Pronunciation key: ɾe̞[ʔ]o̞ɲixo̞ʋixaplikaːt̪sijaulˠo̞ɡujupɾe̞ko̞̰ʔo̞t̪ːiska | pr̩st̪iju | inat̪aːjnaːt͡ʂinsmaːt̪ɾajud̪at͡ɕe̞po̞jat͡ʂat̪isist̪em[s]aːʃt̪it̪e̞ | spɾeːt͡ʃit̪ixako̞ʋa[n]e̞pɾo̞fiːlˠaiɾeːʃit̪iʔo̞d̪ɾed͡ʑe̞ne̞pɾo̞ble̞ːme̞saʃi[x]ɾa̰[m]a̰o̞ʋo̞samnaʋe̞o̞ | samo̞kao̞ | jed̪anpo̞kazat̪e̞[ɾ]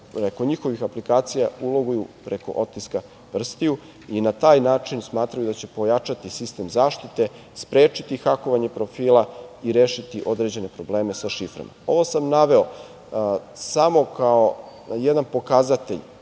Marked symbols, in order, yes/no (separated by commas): no, no, no, no, yes, no